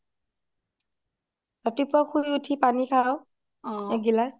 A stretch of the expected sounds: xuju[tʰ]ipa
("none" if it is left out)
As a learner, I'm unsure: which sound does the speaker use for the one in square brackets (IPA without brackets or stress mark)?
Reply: tʰ